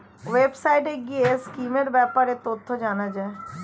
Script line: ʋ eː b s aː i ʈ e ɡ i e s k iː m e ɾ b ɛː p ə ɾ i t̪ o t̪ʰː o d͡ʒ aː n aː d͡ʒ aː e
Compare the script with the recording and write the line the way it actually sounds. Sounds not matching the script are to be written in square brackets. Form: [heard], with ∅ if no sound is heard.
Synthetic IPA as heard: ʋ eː b s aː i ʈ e ɡ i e s k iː m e ɾ b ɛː p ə ɾ [e] t̪ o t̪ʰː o d͡ʒ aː n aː d͡ʒ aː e